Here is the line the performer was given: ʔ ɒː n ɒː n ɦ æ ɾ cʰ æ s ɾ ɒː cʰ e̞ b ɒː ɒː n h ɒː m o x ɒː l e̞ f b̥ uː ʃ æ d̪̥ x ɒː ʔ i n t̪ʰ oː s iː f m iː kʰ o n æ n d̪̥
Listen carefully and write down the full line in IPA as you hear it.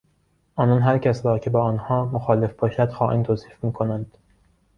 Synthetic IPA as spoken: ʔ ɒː n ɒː n ɦ æ ɾ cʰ æ s ɾ ɒː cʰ e̞ b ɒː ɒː n h ɒː m o x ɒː l e̞ f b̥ ɒː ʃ æ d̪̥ x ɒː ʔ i n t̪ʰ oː s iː f m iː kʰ o n æ n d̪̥